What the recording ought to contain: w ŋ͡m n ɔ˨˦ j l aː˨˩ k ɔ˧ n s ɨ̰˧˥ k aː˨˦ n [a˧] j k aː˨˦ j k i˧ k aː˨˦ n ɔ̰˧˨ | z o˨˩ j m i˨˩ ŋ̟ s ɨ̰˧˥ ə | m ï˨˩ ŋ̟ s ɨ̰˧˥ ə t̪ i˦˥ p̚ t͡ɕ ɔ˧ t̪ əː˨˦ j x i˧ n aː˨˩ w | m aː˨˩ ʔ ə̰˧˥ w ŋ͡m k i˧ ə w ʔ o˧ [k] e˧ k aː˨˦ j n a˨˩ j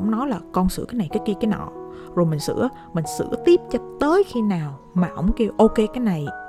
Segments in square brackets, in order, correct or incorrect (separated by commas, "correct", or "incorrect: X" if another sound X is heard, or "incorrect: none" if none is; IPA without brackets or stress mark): incorrect: a˨˩, correct